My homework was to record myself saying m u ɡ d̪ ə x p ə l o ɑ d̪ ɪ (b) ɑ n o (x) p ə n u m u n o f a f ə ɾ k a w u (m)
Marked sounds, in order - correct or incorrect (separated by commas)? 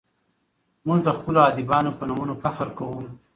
correct, incorrect, correct